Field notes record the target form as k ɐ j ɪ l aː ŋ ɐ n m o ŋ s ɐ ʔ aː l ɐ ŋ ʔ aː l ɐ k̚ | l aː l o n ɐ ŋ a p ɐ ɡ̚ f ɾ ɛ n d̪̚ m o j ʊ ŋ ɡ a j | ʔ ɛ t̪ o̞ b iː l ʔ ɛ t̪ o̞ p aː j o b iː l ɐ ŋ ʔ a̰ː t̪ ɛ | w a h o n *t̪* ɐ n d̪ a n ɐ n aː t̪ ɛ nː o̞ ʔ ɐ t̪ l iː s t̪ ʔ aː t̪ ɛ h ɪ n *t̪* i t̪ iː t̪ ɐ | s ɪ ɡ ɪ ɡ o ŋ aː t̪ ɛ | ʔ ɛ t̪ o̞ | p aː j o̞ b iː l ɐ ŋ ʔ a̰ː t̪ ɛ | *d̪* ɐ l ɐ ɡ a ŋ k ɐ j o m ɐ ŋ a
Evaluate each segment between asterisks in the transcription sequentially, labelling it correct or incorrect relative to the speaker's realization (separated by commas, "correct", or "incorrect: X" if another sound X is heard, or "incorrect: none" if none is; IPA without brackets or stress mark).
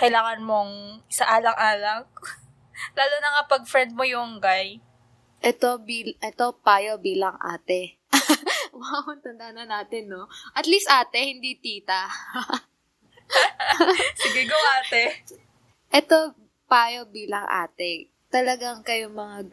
correct, incorrect: d̪, incorrect: t̪